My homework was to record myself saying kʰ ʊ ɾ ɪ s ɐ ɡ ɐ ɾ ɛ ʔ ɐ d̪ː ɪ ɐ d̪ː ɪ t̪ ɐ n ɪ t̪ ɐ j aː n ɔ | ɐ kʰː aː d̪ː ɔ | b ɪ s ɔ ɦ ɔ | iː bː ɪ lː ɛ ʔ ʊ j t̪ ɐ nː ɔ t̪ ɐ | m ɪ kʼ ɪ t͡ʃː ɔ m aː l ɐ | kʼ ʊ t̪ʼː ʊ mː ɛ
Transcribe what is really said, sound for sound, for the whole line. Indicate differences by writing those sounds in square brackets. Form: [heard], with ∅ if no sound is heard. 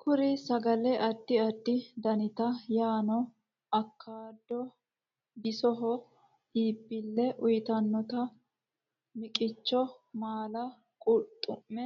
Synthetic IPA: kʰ ʊ ɾ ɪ s ɐ ɡ ɐ [l] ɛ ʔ ɐ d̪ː ɪ ɐ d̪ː ɪ [d̪] ɐ n ɪ t̪ ɐ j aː n ɔ | ɐ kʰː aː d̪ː ɔ | b ɪ s ɔ ɦ ɔ | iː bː ɪ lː ɛ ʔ ʊ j t̪ ɐ nː ɔ t̪ ɐ | m ɪ kʼ ɪ t͡ʃː ɔ m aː l ɐ | kʼ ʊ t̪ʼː ʊ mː ɛ